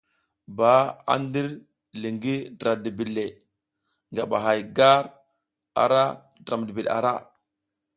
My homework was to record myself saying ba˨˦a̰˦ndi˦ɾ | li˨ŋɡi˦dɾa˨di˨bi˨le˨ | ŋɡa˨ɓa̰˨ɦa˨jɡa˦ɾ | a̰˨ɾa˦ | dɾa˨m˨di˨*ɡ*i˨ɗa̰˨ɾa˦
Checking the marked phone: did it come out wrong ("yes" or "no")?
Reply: yes